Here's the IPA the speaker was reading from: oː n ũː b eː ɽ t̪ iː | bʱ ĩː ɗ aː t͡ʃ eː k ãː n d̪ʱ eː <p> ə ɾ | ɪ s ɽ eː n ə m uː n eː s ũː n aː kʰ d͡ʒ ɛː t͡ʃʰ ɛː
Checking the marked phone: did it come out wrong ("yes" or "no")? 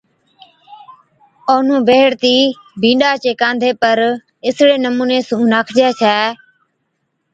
no